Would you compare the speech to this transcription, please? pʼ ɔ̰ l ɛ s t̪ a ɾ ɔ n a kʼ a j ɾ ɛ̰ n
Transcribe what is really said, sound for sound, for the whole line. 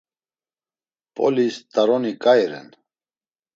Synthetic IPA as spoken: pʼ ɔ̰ l i s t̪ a ɾ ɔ n i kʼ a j ɾ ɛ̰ n